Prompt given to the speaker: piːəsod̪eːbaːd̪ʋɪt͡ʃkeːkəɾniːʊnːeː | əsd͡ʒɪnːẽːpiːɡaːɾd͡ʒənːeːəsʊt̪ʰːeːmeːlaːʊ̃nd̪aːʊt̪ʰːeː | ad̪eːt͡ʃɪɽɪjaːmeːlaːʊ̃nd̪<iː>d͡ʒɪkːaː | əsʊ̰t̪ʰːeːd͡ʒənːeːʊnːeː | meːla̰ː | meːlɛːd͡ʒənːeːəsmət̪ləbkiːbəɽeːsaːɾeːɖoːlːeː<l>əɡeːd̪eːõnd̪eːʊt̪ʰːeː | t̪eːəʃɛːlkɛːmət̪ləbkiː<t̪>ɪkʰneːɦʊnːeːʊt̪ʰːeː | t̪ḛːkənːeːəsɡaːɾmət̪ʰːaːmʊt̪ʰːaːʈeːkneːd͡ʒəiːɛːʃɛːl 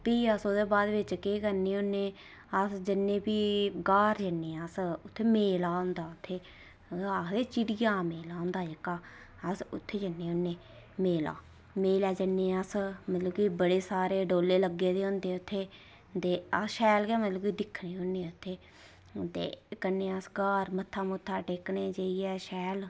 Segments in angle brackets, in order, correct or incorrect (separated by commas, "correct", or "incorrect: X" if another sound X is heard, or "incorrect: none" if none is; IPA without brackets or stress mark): incorrect: aː, correct, incorrect: d̪